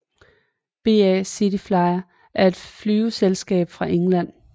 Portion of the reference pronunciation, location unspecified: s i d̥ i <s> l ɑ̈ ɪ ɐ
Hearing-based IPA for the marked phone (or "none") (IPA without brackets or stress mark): f